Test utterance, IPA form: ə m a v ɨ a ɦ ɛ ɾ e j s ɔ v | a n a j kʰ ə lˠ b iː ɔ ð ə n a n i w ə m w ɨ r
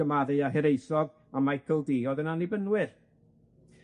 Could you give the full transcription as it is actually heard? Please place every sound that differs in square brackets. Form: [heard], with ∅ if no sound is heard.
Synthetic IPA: ə m a [ð] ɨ a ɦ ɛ ɾ e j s ɔ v | a [m] a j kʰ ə lˠ [d] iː ɔ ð ə n a n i [b] ə [n] w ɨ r